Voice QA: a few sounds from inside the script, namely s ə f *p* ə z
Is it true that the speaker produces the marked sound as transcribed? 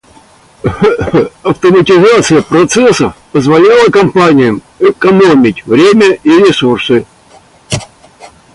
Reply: yes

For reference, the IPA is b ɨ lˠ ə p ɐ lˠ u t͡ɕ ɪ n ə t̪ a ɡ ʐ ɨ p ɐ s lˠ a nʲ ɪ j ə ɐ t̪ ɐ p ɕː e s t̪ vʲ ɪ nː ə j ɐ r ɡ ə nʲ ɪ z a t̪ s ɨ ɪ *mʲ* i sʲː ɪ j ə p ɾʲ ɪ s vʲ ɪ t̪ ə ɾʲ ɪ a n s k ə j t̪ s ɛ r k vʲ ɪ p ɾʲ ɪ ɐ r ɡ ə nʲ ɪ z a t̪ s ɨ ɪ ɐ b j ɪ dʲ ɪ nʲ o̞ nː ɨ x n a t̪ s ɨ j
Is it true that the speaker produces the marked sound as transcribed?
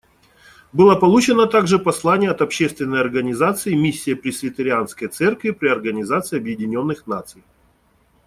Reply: yes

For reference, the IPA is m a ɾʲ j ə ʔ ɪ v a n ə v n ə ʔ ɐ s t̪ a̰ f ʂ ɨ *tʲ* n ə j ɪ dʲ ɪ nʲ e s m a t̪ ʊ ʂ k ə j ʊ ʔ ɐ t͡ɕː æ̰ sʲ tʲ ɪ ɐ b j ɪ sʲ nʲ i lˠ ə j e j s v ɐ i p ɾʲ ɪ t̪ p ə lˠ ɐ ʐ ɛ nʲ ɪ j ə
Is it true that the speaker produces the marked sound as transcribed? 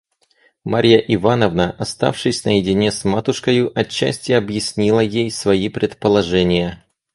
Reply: no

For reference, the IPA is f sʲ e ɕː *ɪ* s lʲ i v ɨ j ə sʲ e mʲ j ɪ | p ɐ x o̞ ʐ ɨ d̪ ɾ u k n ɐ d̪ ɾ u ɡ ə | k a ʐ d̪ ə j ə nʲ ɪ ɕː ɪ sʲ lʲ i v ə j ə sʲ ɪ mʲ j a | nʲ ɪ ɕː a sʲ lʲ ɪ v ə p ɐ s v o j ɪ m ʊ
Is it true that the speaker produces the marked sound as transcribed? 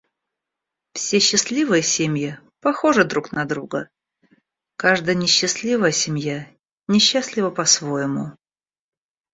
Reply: yes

